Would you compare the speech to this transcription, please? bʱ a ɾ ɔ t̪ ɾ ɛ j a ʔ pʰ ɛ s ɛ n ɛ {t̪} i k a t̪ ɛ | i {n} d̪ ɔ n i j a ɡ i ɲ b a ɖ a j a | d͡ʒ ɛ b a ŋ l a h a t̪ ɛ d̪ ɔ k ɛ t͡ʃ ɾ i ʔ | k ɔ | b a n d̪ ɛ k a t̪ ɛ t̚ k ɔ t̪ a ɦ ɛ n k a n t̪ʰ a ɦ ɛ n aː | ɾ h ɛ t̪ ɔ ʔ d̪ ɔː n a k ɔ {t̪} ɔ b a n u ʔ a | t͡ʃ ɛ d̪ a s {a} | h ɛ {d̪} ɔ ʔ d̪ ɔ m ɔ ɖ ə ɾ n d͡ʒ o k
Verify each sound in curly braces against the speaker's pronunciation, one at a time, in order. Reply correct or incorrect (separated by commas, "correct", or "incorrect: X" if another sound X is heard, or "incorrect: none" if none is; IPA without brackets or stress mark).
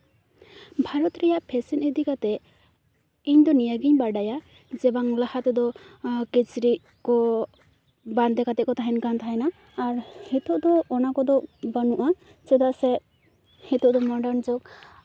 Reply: incorrect: d̪, incorrect: ɲ, incorrect: d̪, incorrect: ɛ, incorrect: t̪